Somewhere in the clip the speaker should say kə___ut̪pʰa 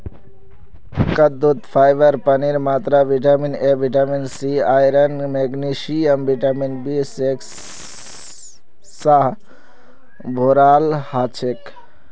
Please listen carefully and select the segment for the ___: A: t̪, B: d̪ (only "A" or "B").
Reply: B